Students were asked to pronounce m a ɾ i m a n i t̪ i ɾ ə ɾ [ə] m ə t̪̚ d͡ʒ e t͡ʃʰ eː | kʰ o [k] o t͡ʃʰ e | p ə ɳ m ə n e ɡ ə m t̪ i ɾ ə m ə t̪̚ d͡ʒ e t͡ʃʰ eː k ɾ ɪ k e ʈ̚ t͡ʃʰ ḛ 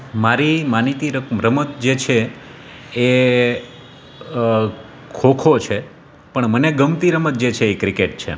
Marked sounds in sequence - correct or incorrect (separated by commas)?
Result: correct, incorrect